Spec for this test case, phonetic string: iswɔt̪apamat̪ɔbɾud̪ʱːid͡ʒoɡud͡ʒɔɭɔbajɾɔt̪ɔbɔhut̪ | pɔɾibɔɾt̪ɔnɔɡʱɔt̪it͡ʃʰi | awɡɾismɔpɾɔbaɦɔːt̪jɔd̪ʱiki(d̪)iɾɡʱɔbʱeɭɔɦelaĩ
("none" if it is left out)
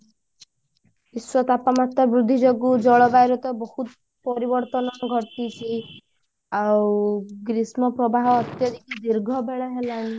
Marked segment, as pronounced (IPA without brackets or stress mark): d̪